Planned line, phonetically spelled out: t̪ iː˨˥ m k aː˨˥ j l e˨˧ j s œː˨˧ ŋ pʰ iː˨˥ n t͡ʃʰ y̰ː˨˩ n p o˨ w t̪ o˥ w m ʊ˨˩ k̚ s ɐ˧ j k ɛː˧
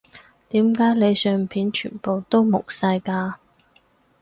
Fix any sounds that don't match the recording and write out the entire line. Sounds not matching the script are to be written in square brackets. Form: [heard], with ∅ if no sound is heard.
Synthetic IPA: t̪ iː˨˥ m k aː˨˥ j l e˨˧ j s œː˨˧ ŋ pʰ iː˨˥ n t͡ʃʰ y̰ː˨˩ n p o˨ w t̪ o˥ w m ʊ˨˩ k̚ s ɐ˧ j k [aː˧]